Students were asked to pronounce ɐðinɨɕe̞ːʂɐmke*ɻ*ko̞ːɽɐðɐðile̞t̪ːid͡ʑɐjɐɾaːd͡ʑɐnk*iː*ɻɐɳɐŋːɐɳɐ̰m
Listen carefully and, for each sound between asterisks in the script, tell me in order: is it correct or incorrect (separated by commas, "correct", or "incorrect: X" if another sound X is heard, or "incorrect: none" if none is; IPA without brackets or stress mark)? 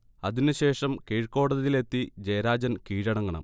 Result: correct, correct